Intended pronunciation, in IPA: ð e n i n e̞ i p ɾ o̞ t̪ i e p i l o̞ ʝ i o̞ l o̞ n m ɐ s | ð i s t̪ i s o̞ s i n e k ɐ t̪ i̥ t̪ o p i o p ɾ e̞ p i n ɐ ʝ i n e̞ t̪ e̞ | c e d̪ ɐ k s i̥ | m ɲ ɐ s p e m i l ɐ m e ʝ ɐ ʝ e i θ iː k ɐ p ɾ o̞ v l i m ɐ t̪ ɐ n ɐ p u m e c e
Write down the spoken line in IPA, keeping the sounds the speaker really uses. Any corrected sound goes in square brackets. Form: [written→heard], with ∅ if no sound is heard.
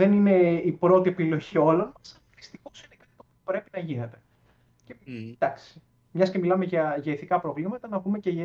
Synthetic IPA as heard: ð e n i n e̞ i p ɾ o̞ t̪ i e p i l o̞ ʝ i o̞ l o̞ n m ɐ s | ð i s t̪ i [s→x] o̞ s i n e k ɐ t̪ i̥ t̪ o p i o p ɾ e̞ p i n ɐ ʝ i n e̞ t̪ e̞ | c e d̪ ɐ k s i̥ | m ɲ ɐ s [p→c] e m i l ɐ m e ʝ ɐ ʝ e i θ [iː→i] k ɐ p ɾ o̞ v l i m ɐ t̪ ɐ n ɐ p u m e c e